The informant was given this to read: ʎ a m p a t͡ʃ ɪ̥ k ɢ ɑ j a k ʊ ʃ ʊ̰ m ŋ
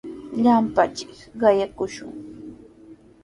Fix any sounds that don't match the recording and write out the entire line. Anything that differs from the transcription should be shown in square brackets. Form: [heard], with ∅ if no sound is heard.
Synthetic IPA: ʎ a m p a t͡ʃ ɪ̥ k ɢ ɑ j a k ʊ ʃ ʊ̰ [∅] ŋ